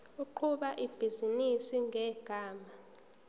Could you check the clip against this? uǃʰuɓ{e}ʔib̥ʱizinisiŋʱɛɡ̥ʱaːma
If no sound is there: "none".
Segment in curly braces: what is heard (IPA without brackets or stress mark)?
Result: a